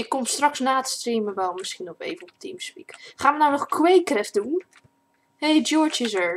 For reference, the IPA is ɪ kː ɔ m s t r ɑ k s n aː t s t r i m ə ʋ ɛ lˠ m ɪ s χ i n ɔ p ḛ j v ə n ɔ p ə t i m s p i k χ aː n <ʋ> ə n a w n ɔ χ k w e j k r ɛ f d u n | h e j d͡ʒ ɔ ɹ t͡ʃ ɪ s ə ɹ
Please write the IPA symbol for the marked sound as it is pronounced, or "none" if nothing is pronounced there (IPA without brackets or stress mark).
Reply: ʋ